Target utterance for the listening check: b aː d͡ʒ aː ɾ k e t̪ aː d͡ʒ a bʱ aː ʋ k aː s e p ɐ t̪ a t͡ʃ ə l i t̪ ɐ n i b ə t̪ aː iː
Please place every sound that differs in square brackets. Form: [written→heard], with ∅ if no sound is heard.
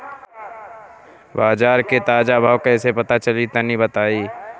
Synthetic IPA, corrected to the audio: b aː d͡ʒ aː ɾ k e t̪ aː d͡ʒ a bʱ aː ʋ k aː s e p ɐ t̪ a t͡ʃ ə l i t̪ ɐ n i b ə t̪ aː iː